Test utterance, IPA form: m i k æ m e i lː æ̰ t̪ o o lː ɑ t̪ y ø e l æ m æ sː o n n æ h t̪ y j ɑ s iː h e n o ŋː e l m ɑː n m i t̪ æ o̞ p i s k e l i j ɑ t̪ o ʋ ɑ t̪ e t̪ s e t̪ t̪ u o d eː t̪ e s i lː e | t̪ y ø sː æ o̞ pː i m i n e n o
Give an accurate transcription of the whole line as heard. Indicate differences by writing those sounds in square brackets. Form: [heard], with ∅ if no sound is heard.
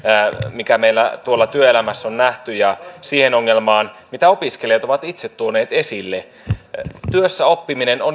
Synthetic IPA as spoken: m i k æ m e i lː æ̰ t̪ [u] o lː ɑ t̪ y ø e l æ m æ sː o n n æ h t̪ y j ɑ s iː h e n o ŋː e l m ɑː n m i t̪ æ o̞ p i s k e l i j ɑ t̪ o ʋ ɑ t̪ [i] t̪ s e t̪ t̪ u o [n] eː t̪ e s i lː e | t̪ y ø sː æ o̞ pː i m i n e n o